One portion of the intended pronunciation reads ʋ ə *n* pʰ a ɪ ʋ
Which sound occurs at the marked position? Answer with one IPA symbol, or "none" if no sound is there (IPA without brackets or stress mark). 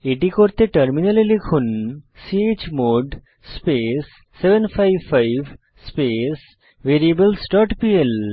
n